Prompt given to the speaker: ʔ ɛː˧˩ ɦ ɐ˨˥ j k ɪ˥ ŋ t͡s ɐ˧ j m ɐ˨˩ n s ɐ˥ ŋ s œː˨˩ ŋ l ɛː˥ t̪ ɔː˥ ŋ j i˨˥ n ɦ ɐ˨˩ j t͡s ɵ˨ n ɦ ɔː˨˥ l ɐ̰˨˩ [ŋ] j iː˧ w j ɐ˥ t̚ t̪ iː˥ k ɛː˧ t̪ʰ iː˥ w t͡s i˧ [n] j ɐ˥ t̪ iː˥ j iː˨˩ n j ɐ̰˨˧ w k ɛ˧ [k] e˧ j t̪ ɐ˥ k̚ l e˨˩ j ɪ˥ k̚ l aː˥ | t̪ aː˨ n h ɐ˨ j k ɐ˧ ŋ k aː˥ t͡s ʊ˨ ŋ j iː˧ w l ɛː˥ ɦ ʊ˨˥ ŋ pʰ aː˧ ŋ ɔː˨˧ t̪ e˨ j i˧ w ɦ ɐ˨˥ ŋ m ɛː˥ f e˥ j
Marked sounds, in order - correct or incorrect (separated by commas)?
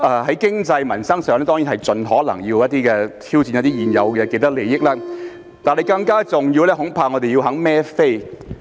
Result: correct, correct, correct